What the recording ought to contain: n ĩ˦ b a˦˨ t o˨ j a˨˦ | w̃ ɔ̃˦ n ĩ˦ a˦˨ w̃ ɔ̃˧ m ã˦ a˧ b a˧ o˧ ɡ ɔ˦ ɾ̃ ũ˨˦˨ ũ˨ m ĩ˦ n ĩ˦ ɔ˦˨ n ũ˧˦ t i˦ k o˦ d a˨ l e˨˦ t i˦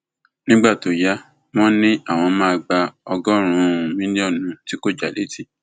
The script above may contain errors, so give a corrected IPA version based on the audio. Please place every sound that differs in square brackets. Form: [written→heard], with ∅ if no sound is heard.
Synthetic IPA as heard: n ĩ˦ [b→ɡ͡b] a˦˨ t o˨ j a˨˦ | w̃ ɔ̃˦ n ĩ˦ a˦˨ w̃ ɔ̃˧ m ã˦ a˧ [b→ɡ͡b] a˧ [o˧→ɔ˧] ɡ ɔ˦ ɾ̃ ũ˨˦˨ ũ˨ m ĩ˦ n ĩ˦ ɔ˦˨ n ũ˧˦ t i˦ k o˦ [d→d͡ʒ] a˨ l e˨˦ t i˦